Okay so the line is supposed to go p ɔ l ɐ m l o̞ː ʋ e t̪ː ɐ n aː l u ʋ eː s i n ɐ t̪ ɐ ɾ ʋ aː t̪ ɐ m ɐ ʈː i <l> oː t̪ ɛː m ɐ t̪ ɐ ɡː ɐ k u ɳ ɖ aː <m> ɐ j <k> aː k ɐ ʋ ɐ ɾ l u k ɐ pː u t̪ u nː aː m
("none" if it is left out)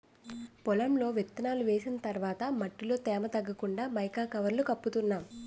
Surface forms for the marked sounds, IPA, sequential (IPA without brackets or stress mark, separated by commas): l, m, k